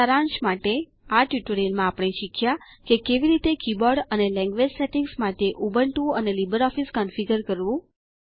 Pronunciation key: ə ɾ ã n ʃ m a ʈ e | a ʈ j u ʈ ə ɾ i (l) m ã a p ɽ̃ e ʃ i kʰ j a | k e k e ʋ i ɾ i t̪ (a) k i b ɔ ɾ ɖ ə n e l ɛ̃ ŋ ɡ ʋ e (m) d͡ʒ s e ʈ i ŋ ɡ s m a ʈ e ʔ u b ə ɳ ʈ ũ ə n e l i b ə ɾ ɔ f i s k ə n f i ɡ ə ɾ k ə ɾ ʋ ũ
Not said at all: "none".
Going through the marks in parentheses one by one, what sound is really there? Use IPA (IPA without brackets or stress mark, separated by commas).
l, e, none